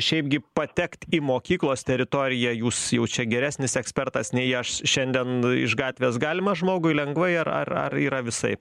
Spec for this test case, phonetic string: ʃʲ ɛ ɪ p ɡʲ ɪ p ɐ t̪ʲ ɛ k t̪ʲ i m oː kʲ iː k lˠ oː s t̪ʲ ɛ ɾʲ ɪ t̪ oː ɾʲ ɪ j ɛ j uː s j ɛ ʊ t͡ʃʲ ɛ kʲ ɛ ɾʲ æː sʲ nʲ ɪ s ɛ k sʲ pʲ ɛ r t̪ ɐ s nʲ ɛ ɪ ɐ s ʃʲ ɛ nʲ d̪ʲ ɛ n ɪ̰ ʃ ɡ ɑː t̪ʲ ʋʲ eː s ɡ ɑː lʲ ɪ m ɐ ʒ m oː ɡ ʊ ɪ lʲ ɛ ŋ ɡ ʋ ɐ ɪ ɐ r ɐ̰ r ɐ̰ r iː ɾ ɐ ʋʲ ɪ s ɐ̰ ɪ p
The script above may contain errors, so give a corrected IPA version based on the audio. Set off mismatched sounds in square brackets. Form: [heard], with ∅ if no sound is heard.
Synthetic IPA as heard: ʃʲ ɛ ɪ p ɡʲ ɪ p ɐ t̪ʲ ɛ k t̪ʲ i m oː kʲ iː k lˠ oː s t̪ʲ ɛ ɾʲ ɪ t̪ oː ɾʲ ɪ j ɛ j uː s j ɛ ʊ t͡ʃʲ ɛ [ɡʲ] ɛ ɾʲ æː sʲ nʲ ɪ s ɛ k sʲ pʲ ɛ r t̪ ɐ s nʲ ɛ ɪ ɐ [ʃ] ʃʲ ɛ nʲ d̪ʲ ɛ n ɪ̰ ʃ ɡ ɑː t̪ʲ ʋʲ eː s ɡ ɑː lʲ ɪ m ɐ ʒ m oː ɡ ʊ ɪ lʲ ɛ ŋ ɡ ʋ ɐ ɪ ɐ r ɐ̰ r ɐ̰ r iː ɾ ɐ ʋʲ ɪ s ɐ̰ ɪ p